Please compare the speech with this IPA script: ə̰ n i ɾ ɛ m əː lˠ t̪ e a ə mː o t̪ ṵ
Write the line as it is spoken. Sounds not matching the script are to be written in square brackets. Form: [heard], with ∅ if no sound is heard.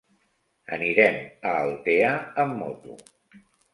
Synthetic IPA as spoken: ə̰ n i ɾ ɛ m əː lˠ t̪ e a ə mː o t̪ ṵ